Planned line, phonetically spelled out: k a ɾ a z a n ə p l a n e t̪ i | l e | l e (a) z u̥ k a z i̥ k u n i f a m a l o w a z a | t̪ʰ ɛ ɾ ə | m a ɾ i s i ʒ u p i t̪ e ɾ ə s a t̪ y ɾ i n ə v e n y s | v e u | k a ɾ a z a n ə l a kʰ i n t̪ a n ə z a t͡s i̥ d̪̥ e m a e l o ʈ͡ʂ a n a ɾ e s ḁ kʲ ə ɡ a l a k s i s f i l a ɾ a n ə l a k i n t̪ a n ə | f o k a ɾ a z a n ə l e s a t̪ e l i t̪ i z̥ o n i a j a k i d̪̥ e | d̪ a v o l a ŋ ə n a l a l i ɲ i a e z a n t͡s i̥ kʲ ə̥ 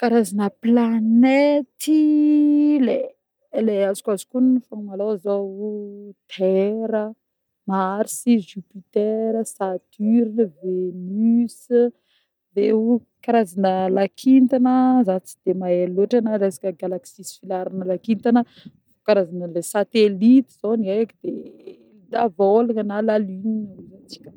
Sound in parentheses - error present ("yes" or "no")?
no